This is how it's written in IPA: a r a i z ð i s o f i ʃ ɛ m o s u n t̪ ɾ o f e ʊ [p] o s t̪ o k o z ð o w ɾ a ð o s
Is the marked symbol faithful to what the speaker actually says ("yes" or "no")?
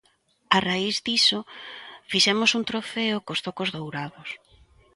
no